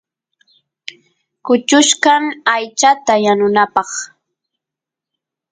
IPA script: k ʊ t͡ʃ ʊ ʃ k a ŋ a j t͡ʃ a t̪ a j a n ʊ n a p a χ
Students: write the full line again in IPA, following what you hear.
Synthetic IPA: k ʊ t͡ʃ ʊ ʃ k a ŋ a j t͡ʃ a t̪ a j a n ʊ n a p ɑ χ